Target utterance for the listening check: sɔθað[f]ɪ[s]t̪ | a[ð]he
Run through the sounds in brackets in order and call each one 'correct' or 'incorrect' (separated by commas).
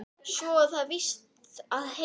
incorrect, correct, correct